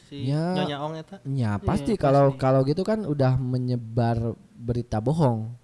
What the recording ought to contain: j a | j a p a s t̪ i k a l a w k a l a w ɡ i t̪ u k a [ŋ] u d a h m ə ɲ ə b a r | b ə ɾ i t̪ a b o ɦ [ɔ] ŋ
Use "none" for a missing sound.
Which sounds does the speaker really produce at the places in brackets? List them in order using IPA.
n, ɔ

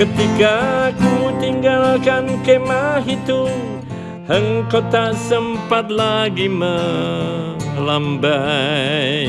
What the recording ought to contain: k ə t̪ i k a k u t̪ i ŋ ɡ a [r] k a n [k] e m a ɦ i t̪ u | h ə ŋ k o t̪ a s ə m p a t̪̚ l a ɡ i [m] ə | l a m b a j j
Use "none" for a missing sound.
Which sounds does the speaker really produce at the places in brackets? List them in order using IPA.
l, k, m

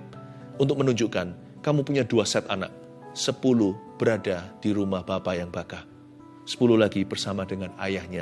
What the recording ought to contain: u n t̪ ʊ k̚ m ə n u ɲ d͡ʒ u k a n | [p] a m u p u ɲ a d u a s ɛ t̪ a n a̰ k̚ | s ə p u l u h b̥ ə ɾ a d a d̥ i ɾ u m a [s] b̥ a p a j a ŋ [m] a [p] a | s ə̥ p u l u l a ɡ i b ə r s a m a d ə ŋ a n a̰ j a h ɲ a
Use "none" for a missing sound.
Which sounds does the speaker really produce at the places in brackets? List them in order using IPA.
k, h, b, k

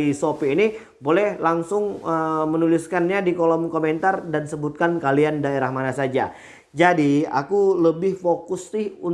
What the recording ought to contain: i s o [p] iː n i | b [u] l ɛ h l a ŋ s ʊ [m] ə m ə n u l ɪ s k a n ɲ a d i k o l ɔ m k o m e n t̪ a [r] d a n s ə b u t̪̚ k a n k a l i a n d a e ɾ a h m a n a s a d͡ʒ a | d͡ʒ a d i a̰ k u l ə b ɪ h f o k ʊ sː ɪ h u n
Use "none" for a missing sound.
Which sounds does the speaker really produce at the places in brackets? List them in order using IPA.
p, o, ŋ, r

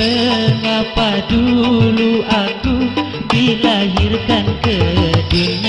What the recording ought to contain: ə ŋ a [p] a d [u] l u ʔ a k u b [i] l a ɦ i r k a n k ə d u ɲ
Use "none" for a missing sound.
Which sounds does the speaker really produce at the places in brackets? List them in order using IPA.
p, u, i

